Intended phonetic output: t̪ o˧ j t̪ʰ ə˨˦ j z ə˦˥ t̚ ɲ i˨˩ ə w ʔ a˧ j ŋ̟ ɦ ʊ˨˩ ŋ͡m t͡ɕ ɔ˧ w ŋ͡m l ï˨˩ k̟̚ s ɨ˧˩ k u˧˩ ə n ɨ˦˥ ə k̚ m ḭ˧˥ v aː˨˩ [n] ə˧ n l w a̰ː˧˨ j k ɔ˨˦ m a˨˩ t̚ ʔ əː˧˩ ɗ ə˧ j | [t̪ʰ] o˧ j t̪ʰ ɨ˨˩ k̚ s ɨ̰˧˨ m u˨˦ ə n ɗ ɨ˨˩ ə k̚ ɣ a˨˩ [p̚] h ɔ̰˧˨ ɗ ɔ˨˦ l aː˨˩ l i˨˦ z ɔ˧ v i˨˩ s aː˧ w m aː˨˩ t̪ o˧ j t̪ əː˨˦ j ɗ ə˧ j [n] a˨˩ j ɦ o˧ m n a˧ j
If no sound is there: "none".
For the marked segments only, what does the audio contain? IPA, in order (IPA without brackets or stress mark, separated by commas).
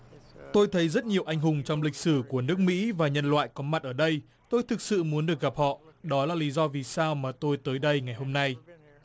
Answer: ɲ, t̪, p̚, ŋ